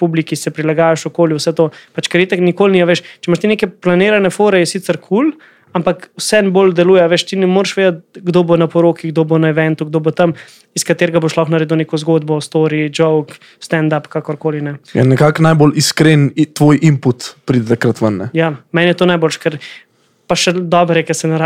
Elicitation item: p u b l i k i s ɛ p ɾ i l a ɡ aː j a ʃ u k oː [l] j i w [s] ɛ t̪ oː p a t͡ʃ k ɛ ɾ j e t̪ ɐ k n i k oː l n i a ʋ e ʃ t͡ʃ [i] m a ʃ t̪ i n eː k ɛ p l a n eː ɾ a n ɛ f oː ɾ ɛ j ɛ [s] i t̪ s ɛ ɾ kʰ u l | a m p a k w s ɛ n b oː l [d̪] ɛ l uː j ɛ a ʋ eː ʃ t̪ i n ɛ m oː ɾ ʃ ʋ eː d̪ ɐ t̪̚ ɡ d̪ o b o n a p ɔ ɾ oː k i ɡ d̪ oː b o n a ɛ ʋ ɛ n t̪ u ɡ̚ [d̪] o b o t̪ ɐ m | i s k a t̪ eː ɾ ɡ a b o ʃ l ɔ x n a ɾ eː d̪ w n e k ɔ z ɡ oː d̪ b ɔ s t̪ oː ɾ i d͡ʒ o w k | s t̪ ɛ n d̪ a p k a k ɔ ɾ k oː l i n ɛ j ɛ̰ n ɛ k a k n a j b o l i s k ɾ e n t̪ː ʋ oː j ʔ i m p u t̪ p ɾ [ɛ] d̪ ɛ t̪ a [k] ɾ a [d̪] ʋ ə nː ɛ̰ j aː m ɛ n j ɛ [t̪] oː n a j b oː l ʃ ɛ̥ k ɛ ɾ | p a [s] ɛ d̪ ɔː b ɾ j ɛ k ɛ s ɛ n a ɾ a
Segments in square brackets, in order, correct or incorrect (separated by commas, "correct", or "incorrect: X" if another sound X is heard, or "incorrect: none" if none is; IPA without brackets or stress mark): correct, correct, incorrect: ɛ, correct, correct, correct, incorrect: i, correct, incorrect: t̪, correct, incorrect: ʃ